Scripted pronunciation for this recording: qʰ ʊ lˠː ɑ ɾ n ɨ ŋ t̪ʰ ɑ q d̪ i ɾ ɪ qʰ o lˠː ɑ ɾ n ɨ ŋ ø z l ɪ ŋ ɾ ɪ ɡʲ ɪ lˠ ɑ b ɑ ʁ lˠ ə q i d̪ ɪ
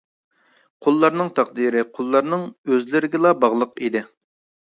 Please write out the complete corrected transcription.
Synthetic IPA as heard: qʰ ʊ lˠː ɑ ɾ n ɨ ŋ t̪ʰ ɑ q d̪ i ɾ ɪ qʰ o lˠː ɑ ɾ n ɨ ŋ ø z l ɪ ɾ ɪ ɡʲ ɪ lˠ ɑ b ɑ ʁ lˠ ə q i d̪ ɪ